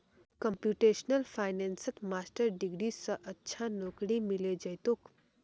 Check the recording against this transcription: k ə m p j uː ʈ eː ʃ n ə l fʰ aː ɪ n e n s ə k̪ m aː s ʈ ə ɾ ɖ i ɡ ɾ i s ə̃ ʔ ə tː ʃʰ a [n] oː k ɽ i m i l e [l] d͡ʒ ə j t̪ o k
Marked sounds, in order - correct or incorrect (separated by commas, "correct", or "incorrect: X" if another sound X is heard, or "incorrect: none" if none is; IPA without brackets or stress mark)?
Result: correct, incorrect: none